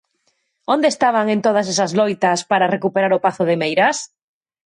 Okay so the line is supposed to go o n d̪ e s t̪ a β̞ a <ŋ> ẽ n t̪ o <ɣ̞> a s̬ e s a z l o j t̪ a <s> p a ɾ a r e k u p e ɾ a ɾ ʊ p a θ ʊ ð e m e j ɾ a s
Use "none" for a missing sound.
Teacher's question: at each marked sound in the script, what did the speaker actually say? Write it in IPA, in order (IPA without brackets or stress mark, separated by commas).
ŋ, ð̞, s